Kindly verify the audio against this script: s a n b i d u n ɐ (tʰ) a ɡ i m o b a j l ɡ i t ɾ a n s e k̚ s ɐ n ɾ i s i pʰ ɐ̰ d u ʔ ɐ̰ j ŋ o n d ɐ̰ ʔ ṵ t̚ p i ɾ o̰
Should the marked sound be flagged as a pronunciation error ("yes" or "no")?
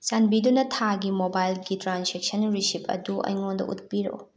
no